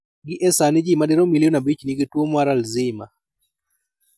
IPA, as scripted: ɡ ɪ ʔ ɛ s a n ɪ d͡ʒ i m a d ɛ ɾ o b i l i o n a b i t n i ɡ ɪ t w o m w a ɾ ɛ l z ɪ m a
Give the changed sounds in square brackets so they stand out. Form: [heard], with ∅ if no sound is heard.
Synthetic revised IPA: ɡ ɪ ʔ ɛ s a n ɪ d͡ʒ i m a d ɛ ɾ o [m] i l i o n a b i [t͡ʃ] n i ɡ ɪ t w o m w a ɾ [a] l z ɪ m a